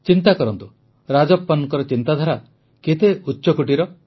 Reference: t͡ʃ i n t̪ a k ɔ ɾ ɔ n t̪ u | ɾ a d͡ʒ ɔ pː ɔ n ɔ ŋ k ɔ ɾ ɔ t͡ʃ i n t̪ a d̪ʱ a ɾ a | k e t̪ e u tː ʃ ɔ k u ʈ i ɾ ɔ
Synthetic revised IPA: t͡ʃ i n t̪ a k ɔ ɾ ɔ n t̪ u | ɾ a d͡ʒ ɔ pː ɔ n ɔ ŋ k ɔ ɾ ɔ t͡ʃ i n t̪ a d̪ʱ a ɾ a | k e t̪ e u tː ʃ ɔ k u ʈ i ɾ ɔ